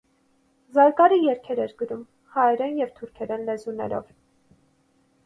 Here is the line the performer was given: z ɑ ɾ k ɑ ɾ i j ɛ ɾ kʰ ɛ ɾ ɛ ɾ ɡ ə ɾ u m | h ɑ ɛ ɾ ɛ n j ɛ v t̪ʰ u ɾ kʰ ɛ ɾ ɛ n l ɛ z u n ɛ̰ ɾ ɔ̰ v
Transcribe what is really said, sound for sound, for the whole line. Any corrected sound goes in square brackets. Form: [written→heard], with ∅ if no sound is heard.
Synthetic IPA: z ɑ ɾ k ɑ ɾ i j ɛ ɾ kʰ ɛ ɾ ɛ ɾ ɡ ə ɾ u m | h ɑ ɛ ɾ ɛ n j ɛ v t̪ʰ u ɾ kʰ ɛ ɾ ɛ n l ɛ z u n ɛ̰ ɾ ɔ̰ v

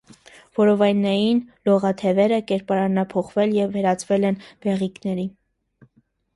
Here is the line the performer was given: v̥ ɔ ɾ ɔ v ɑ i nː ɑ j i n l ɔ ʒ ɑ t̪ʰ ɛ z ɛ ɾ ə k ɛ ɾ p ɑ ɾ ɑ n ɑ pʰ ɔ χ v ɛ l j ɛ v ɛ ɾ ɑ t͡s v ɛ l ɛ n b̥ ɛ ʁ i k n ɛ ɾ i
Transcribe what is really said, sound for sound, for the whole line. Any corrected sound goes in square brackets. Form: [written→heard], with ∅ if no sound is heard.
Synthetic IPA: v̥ ɔ ɾ ɔ v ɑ [i→j] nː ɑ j i n l ɔ [ʒ→ʁ] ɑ t̪ʰ ɛ [z→v] ɛ ɾ ə k ɛ ɾ p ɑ ɾ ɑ n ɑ pʰ ɔ χ v ɛ l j ɛ [v→vː] ɛ ɾ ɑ t͡s v ɛ l ɛ n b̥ ɛ ʁ i k n ɛ ɾ i

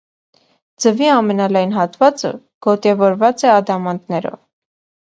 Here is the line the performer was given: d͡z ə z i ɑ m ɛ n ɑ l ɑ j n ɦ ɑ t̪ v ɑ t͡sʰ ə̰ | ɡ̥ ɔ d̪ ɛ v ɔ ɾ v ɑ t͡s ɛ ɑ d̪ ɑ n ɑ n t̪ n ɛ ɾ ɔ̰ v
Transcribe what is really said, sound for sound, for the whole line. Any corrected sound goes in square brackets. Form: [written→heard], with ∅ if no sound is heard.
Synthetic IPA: d͡z ə [z→v] i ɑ m ɛ n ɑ l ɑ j n ɦ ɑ t̪ v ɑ [t͡sʰ→t͡s] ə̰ | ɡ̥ ɔ [d̪→t̪] ɛ v ɔ ɾ v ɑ t͡s ɛ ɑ d̪ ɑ [n→m] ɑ n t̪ n ɛ ɾ ɔ̰ v

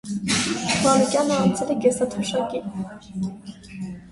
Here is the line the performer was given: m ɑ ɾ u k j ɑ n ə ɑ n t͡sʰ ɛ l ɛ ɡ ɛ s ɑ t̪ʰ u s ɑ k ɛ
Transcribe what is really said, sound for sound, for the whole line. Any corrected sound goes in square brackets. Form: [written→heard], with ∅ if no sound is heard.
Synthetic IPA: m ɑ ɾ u k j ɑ n ə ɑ n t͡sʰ ɛ l ɛ ɡ ɛ s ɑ t̪ʰ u [s→ʃ] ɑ k [ɛ→i]

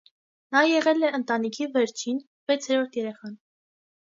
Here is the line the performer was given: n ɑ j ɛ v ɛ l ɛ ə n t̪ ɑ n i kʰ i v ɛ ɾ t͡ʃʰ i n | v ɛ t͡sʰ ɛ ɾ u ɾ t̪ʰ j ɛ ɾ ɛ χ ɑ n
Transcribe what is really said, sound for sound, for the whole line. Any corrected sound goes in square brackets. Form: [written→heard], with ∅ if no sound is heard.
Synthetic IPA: n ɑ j ɛ [v→ʁ] ɛ l ɛ ə n t̪ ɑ n i kʰ i v ɛ ɾ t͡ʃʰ i n | v ɛ t͡sʰ ɛ ɾ [u→ɔ] ɾ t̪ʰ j ɛ ɾ ɛ χ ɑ n

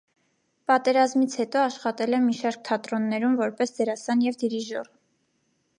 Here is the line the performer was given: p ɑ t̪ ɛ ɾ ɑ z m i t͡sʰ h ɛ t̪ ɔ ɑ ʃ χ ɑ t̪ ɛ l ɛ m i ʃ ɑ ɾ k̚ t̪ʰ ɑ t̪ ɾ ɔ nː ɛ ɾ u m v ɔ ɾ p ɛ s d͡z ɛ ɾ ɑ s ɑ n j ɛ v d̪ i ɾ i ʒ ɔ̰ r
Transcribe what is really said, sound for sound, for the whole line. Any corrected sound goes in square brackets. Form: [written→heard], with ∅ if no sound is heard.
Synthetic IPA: p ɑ t̪ ɛ ɾ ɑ z m i t͡sʰ h ɛ t̪ ɔ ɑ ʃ χ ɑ t̪ ɛ l ɛ m i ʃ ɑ ɾ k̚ t̪ʰ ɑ t̪ ɾ ɔ nː ɛ ɾ u m v ɔ ɾ p ɛ s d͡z ɛ ɾ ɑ s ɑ n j ɛ v d̪ i ɾ i ʒ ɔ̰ r

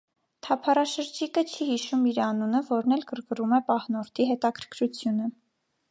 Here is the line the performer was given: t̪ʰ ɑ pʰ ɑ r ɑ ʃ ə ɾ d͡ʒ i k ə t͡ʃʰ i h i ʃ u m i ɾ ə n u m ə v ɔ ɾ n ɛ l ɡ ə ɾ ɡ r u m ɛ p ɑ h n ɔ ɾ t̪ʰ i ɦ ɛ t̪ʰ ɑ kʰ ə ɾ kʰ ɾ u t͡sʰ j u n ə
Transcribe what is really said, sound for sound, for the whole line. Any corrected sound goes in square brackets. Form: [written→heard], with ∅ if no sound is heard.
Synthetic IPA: t̪ʰ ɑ pʰ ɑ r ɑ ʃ ə ɾ d͡ʒ i k ə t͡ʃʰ i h i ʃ u m i ɾ [ə→ɑ] n u [m→n] ə v ɔ ɾ n ɛ l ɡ ə ɾ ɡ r u m ɛ p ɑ h n ɔ ɾ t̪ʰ i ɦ ɛ [t̪ʰ→t̪] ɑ kʰ ə ɾ kʰ ɾ u t͡sʰ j u n ə

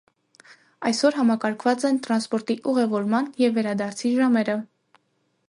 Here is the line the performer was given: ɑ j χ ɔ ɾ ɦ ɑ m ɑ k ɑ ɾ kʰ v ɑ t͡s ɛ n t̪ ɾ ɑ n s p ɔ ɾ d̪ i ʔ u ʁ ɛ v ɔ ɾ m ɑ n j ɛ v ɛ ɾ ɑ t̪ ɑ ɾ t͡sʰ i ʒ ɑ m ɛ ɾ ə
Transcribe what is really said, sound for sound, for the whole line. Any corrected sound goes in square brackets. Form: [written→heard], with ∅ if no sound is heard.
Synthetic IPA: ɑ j [χ→s] ɔ ɾ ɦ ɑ m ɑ k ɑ ɾ kʰ v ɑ t͡s ɛ n t̪ ɾ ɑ n s p ɔ ɾ [d̪→t̪] i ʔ u ʁ ɛ v ɔ ɾ m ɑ n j ɛ [v→vː] ɛ ɾ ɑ [t̪→d̪] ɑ ɾ t͡sʰ i ʒ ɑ m ɛ ɾ ə

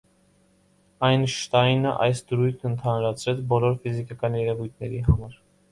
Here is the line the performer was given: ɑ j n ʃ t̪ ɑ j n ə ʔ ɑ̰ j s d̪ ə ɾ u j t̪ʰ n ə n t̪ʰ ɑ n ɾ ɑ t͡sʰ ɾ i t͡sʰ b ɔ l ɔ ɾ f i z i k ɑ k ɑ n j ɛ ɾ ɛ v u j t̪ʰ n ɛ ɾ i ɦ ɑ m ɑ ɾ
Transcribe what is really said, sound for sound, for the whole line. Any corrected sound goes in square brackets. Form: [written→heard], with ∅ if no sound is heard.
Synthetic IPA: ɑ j n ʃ t̪ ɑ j n ə ʔ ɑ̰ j s d̪ ə ɾ u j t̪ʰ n ə n t̪ʰ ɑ n ɾ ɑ t͡sʰ ɾ [i→ɛ] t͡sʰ b ɔ l ɔ ɾ f i z i k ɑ k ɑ n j ɛ ɾ ɛ v u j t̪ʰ n ɛ ɾ i ɦ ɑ m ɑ ɾ

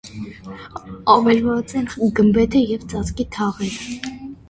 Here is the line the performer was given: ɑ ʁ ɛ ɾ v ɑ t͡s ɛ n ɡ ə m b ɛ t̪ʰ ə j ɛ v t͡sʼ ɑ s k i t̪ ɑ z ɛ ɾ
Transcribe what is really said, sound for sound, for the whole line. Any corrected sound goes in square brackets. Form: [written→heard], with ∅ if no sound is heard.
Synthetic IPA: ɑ [ʁ→v] ɛ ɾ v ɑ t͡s ɛ n ɡ ə m b ɛ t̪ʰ ə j ɛ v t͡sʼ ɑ [s→t͡s] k i [t̪→t̪ʰ] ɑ [z→ʁ] ɛ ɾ

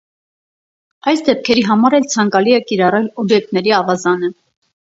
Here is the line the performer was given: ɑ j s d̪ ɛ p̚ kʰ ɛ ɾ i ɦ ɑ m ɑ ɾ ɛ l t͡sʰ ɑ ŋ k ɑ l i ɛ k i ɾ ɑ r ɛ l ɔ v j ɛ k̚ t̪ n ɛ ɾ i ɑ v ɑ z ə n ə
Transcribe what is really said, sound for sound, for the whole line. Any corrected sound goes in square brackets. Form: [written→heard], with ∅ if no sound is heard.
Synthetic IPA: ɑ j s d̪ ɛ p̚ kʰ ɛ ɾ i ɦ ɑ m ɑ ɾ ɛ l t͡sʰ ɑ ŋ k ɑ l i ɛ k i ɾ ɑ r ɛ l ɔ [v→b] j ɛ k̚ t̪ n ɛ ɾ i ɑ v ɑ z [ə→ɑ] n ə

